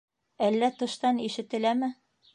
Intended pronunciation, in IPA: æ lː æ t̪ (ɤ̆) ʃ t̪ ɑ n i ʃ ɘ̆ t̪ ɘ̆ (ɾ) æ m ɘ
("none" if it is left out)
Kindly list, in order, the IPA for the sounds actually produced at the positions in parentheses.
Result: ɤ̆, l

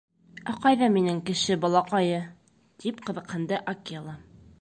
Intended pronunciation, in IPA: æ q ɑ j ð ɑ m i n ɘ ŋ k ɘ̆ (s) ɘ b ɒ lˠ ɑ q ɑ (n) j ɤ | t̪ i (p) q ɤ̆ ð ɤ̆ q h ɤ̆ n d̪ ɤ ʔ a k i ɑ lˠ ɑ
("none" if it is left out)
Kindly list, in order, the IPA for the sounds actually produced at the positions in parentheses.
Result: ʃ, none, p

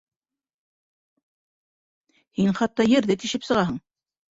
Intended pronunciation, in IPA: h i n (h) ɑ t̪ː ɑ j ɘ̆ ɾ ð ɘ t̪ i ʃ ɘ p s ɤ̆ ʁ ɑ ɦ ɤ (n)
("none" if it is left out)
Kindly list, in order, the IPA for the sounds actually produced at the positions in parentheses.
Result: χ, ɴ

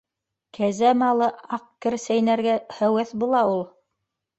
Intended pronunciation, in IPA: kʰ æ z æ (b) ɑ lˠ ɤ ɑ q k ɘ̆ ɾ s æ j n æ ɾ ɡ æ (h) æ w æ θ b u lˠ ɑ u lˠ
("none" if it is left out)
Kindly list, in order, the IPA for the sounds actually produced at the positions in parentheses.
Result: m, h

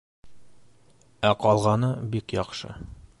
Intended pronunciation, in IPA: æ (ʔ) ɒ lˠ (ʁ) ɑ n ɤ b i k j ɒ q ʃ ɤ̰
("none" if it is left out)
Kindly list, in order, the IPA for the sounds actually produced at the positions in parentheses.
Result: q, ʁ

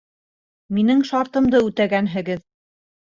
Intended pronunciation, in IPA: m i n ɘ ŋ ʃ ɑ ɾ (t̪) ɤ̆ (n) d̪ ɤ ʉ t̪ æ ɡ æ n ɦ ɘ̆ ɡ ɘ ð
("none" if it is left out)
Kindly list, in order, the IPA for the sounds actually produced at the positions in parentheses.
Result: t̪, m

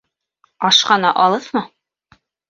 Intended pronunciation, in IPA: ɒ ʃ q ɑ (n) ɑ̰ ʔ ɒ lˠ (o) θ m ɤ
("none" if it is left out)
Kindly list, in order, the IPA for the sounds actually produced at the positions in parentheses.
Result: n, ɤ

